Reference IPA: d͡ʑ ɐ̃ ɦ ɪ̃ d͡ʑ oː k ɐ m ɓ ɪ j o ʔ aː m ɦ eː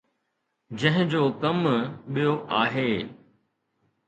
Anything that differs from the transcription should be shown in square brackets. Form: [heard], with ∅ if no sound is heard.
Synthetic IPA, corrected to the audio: d͡ʑ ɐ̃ ɦ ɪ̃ d͡ʑ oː k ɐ m ɓ [i] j o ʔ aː [∅] ɦ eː